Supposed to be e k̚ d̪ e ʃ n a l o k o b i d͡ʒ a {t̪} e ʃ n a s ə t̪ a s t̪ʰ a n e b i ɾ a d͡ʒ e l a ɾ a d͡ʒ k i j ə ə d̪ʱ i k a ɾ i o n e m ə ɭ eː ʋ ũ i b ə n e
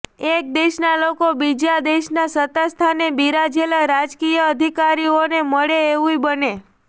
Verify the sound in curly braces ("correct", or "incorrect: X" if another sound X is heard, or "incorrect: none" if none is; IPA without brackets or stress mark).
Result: incorrect: d̪